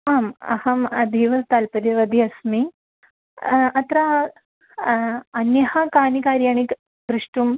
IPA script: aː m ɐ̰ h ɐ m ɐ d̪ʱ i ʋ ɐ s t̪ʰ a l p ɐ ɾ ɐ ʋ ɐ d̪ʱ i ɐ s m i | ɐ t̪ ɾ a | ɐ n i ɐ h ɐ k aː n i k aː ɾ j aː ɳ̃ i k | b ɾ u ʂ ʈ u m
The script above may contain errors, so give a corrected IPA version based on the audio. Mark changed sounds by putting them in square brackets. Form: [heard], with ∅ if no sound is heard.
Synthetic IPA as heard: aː m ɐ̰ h ɐ m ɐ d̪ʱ i ʋ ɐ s [t̪] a l p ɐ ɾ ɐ ʋ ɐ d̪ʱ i ɐ s m i | ɐ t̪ ɾ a | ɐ n [j] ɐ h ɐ k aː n i k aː ɾ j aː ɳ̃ i k | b ɾ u ʂ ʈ u m

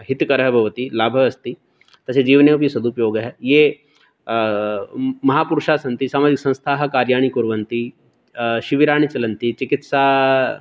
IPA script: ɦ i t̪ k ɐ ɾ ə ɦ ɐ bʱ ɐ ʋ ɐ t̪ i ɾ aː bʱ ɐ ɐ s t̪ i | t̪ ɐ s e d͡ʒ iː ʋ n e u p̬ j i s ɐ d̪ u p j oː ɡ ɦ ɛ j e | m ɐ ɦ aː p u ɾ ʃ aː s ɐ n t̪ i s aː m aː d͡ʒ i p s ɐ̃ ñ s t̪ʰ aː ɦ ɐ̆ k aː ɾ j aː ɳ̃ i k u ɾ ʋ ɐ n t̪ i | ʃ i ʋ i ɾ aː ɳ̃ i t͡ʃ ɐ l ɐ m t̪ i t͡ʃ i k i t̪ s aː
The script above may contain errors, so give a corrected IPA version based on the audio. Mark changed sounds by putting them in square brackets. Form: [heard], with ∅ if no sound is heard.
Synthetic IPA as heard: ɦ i t̪ k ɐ ɾ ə ɦ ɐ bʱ ɐ ʋ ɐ t̪ i [l] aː bʱ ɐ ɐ s t̪ i | t̪ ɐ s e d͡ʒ iː ʋ n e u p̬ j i s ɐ d̪ u p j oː ɡ ɦ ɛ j e | m ɐ ɦ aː p u ɾ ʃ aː s ɐ n t̪ i s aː m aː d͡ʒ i [k] s ɐ̃ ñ s t̪ʰ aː ɦ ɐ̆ k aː ɾ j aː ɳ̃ i k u ɾ ʋ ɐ n t̪ i | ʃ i ʋ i ɾ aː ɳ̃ i t͡ʃ ɐ l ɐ [n] t̪ i t͡ʃ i k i t̪ s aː

